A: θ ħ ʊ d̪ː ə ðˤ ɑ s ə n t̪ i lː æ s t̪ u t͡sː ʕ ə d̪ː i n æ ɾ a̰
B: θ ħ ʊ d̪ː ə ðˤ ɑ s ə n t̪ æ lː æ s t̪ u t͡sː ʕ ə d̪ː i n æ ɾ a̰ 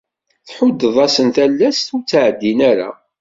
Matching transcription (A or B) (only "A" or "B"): B